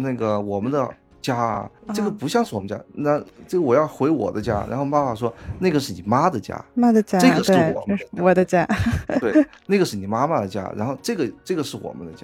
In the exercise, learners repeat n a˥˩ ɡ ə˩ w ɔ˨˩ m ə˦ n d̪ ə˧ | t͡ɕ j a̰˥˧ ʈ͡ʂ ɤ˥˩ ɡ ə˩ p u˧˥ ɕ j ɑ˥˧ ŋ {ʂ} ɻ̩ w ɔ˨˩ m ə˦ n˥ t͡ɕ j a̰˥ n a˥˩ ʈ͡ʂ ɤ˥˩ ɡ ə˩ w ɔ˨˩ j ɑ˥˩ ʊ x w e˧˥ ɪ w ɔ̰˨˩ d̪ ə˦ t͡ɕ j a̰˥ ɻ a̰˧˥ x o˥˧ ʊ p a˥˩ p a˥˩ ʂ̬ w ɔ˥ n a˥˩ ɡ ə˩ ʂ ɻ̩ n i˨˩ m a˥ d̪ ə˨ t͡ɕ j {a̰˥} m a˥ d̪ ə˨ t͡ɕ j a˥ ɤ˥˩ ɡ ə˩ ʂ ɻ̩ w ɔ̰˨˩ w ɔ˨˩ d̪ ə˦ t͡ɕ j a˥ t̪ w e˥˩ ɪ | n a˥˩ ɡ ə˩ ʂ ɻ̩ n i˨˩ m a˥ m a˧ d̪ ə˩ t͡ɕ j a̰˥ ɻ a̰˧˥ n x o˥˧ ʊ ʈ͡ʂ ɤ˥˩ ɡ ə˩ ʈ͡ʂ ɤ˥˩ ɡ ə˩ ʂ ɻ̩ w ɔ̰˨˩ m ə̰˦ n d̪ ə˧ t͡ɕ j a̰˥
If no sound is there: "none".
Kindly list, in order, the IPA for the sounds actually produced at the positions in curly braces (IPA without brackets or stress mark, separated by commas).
ʂ, a̰˥